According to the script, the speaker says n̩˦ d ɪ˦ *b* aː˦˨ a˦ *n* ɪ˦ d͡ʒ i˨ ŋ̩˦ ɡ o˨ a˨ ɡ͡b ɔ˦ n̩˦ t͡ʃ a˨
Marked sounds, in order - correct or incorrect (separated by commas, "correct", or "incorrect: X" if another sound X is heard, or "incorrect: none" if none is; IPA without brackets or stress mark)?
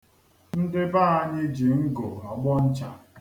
correct, incorrect: ɲ